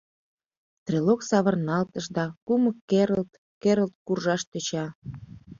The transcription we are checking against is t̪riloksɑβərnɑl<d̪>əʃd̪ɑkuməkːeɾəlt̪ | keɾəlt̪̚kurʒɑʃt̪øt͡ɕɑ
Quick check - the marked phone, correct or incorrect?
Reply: incorrect